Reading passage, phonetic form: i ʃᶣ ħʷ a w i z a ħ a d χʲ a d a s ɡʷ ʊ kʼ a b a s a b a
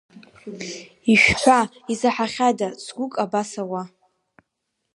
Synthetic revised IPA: i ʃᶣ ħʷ a i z a ħ a χʲ a d a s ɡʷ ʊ kʼ a b a s a w a